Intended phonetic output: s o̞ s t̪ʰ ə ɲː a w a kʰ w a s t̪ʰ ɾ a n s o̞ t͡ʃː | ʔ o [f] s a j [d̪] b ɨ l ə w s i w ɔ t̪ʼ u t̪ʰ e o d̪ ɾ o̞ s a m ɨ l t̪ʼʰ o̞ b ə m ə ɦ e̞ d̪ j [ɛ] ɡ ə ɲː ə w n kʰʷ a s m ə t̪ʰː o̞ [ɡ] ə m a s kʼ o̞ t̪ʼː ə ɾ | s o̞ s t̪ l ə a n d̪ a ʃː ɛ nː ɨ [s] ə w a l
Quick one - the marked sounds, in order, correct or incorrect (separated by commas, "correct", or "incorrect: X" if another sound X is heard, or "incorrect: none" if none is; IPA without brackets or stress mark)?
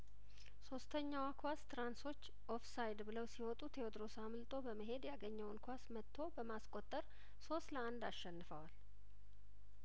correct, correct, incorrect: a, incorrect: b, incorrect: f